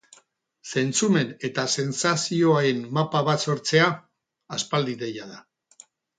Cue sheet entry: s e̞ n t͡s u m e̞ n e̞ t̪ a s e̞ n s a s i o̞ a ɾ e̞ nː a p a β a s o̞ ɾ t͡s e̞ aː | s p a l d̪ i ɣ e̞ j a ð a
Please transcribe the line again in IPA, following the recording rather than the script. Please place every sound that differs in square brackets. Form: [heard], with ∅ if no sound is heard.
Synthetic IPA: s e̞ n t͡s u m e̞ n e̞ t̪ a s e̞ n s a s i o̞ a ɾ e̞ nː a p a β a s o̞ ɾ t͡s e̞ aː | s p a l d̪ i [ð] e̞ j a ð a